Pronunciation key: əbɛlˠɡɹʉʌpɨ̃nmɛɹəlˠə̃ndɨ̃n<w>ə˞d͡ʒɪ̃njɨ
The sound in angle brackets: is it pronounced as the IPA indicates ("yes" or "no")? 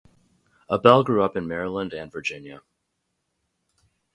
no